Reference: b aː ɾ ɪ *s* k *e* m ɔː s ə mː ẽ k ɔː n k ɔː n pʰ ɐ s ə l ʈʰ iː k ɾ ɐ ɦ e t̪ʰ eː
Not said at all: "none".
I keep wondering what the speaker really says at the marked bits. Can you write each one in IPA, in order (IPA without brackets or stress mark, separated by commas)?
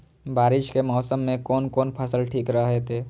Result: ʃ, e